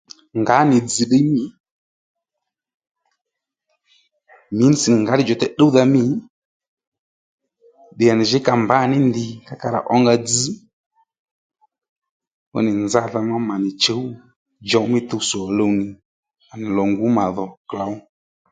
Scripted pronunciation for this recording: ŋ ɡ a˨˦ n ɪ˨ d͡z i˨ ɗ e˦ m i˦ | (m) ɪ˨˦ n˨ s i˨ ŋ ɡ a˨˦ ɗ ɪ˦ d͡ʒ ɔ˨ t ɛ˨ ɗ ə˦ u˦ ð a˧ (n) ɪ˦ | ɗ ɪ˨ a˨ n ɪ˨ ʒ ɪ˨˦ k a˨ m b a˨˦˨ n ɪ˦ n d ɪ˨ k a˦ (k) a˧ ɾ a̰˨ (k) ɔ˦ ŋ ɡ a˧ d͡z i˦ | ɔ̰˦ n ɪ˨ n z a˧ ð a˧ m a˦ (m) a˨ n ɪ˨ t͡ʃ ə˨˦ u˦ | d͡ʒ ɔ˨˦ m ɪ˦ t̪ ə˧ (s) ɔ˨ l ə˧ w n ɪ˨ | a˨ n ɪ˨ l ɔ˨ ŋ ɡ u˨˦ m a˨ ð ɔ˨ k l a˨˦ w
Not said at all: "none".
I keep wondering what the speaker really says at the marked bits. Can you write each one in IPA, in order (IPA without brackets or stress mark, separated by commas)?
m, m, k, ʔ, m, s